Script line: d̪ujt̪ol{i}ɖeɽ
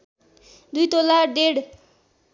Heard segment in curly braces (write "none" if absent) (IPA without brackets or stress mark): a